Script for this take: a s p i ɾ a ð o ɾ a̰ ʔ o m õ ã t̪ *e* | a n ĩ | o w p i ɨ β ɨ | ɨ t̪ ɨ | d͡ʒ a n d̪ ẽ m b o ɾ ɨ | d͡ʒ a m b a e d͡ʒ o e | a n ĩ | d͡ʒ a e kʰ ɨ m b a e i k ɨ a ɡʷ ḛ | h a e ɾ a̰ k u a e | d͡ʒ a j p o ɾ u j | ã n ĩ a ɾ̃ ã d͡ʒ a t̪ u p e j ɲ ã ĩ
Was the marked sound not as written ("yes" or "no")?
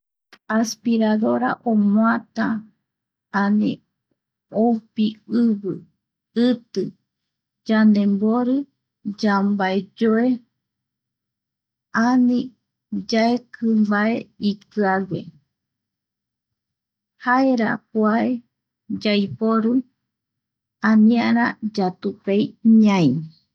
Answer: yes